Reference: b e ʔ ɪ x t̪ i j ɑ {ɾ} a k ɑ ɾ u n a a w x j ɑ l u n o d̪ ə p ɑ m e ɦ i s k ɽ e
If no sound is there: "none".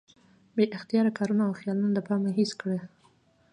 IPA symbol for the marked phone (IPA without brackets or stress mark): ɾ